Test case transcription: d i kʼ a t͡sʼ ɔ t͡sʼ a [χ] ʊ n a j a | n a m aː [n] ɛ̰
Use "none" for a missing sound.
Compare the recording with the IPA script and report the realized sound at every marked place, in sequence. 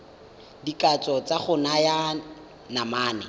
χ, n

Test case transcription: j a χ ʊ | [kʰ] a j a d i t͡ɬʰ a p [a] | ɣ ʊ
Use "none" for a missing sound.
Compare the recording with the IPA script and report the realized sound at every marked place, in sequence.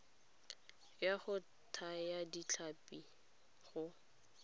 tʰ, i

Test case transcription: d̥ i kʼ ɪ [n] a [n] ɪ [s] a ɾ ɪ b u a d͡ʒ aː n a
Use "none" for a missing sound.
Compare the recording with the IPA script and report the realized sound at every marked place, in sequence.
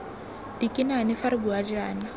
n, n, f

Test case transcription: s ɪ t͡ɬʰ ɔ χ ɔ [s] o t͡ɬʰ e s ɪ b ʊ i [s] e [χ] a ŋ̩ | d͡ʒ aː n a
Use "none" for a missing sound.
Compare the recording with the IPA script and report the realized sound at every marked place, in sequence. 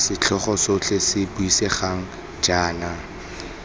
s, s, χ

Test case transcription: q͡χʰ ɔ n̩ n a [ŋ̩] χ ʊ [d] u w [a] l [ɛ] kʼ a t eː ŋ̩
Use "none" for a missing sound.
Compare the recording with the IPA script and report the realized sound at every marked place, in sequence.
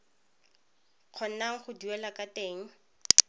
ŋ̩, d, ɛ, a

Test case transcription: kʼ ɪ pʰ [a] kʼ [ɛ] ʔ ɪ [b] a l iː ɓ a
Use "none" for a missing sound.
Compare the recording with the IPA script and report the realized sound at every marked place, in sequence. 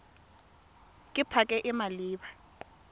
a, ɛ, m

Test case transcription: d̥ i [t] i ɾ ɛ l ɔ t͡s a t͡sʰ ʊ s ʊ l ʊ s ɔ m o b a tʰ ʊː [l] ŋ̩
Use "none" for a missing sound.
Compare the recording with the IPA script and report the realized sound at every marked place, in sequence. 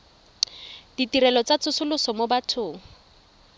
t, none

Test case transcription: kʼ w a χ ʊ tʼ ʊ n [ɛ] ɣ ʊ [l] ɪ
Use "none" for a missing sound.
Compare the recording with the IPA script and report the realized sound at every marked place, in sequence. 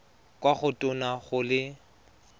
a, l

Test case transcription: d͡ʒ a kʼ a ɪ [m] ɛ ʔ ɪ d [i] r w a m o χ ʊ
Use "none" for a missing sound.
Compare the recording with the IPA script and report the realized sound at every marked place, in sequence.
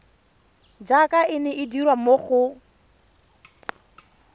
n, i

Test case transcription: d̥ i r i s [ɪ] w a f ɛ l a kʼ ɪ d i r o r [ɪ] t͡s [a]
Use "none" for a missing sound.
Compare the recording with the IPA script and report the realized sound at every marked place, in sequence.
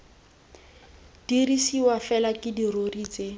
i, i, e

